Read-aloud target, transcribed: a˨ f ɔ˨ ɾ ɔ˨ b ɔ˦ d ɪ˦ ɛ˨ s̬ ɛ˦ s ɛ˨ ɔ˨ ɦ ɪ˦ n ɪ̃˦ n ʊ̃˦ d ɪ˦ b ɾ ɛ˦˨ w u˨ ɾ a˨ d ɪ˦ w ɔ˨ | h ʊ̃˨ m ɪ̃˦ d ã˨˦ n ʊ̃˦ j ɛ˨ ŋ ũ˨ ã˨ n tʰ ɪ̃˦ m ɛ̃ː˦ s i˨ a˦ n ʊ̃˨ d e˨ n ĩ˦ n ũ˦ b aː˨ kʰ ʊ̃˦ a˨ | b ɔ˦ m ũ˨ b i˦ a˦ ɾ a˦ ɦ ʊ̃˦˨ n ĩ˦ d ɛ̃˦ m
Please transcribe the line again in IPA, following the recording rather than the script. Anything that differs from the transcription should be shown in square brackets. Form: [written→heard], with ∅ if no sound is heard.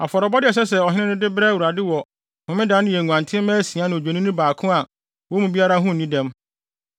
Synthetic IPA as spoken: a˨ f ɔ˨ ɾ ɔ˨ b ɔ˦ d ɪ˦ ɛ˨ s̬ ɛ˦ s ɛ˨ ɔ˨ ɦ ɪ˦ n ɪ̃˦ n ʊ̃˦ d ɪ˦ b ɾ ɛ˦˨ w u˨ ɾ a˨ d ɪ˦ w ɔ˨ | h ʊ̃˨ m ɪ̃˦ d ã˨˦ n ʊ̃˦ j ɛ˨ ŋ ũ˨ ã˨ n tʰ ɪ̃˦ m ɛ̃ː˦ s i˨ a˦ n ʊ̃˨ [d→d͡ʑᶣ] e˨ n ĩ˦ n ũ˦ b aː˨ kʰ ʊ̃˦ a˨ | [b→w] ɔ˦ m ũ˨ b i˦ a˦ ɾ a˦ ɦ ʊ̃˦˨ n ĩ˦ d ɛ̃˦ m